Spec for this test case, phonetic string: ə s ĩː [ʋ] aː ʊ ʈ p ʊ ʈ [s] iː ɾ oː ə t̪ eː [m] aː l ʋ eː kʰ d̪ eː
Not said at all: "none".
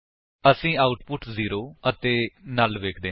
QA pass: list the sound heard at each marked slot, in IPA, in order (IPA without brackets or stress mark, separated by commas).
none, z, n